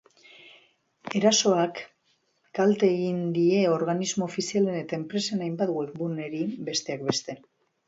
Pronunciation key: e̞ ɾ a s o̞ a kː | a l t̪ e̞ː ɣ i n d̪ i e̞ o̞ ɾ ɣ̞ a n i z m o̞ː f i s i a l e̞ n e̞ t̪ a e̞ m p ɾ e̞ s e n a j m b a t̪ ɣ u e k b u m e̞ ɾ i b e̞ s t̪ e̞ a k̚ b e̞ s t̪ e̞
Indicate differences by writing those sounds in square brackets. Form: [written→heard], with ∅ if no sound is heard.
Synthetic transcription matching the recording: e̞ ɾ a s o̞ a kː | a l t̪ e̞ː ɣ i n d̪ i e̞ o̞ ɾ ɣ̞ a n i z m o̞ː f i s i a l e̞ n e̞ t̪ a e̞ m p ɾ e̞ s e n a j m b a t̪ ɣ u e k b u [m→n] e̞ ɾ i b e̞ s t̪ e̞ a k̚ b e̞ s t̪ e̞